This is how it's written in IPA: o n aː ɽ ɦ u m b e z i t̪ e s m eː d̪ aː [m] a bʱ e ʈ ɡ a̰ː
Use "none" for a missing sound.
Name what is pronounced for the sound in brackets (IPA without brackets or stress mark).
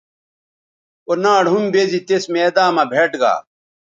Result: m